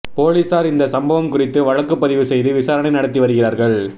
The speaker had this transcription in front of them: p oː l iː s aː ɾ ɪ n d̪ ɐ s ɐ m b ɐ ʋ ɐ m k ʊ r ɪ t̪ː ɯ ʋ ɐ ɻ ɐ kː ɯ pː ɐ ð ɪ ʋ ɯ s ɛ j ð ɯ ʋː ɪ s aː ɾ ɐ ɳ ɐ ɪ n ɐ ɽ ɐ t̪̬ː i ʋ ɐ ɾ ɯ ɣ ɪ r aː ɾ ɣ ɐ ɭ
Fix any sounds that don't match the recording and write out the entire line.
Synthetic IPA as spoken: p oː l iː s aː ɾ ɪ n d̪ ɐ s ɐ m b ɐ ʋ ɐ m k ʊ r ɪ t̪ː ɯ ʋ ɐ ɻ ɐ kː ɯ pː ɐ ð ɪ ʋ ɯ s ɛ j ð ɯ ʋ ɪ s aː ɾ ɐ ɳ ɐ ɪ n ɐ ɽ ɐ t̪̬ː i ʋ ɐ ɾ ɯ ɣ ɪ r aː ɾ ɣ ɐ ɭ